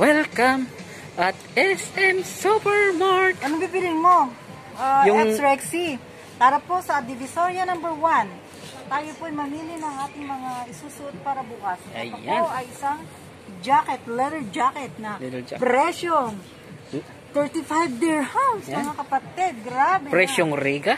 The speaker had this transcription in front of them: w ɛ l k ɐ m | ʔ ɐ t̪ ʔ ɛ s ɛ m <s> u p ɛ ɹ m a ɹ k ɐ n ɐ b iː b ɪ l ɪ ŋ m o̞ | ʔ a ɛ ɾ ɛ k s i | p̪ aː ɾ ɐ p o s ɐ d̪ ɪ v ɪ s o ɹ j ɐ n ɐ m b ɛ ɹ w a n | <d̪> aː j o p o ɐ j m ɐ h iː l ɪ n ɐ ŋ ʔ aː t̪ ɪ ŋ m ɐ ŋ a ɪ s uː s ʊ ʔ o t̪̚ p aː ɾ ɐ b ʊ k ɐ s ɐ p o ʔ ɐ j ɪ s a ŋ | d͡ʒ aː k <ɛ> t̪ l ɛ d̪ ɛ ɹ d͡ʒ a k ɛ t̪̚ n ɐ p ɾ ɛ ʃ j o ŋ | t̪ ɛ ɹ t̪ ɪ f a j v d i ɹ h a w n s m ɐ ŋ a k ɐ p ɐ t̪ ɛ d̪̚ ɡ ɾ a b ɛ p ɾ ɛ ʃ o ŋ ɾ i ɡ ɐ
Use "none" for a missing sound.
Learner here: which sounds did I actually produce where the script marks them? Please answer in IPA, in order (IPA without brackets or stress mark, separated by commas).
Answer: s, t̪, ɛ